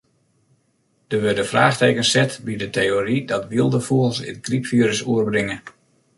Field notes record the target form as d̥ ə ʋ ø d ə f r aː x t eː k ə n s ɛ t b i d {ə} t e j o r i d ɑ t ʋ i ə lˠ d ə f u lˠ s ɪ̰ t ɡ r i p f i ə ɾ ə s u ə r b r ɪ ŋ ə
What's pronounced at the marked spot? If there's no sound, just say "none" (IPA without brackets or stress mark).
ə